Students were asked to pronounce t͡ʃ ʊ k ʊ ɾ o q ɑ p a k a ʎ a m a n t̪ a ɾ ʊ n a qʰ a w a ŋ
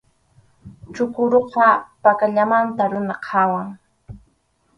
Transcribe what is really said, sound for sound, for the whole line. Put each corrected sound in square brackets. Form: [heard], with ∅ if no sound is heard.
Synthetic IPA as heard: t͡ʃ ʊ k ʊ ɾ o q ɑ p a k a ʎ a m a n t̪ a ɾ ʊ n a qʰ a w a ŋ